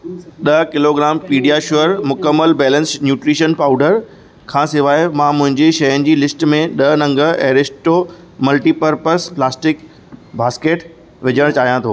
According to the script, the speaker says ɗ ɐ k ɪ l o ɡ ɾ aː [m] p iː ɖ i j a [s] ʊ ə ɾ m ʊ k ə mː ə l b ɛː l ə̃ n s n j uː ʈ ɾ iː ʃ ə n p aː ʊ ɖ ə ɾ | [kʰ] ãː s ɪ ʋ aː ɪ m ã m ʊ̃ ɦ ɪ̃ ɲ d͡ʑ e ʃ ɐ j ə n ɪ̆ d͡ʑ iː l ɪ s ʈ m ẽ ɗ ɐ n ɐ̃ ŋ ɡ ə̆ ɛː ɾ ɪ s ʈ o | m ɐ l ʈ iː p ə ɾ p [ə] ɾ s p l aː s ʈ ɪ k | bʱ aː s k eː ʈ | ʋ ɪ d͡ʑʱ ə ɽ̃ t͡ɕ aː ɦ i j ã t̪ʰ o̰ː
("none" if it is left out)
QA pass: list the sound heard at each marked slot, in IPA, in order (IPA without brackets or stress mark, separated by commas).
m, ʃ, kʰ, ə